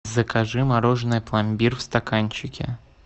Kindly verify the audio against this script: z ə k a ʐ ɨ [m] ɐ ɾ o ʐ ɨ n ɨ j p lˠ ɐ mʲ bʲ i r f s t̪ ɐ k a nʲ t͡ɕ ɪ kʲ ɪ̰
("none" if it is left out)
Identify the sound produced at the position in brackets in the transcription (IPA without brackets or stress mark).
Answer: m